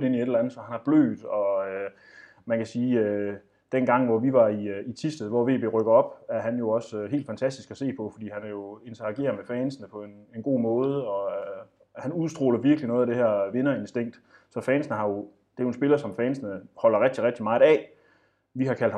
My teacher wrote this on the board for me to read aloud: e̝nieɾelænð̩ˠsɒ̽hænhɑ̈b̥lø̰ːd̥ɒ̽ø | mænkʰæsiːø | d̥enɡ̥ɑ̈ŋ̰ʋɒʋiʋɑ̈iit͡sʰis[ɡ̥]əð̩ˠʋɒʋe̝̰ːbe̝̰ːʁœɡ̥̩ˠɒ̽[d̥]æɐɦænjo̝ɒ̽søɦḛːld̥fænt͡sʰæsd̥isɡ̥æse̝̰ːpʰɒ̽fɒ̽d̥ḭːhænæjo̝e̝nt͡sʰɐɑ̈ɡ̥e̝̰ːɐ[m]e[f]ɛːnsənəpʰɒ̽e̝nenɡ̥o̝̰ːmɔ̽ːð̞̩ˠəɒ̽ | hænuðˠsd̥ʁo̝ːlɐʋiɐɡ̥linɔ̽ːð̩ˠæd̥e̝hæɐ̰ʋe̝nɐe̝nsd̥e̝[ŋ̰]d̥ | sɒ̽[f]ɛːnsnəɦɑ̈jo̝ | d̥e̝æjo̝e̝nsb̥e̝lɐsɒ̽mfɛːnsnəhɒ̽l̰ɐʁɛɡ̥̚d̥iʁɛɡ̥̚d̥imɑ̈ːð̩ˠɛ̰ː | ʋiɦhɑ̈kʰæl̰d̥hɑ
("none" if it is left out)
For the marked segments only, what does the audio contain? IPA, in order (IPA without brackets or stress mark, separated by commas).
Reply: d̥, b̥, m, f, ŋ̰, f